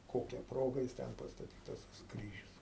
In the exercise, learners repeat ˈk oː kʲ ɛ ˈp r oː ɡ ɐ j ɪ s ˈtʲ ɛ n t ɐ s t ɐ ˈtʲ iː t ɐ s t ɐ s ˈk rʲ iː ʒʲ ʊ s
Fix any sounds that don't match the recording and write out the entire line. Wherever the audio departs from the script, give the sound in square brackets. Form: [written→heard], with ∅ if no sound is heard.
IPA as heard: ˈk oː kʲ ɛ ˈp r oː ɡ ɐ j ɪ s ˈtʲ ɛ n [t→p] ɐ s t ɐ ˈtʲ iː t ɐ s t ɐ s ˈk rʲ iː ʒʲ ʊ s